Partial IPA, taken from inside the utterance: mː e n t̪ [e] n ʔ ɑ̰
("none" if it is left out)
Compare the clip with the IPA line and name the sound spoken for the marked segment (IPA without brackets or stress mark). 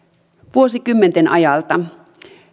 e